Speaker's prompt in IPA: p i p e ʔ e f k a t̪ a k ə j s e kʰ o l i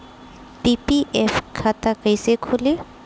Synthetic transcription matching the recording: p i p i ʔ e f kʰ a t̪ a k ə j s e kʰ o l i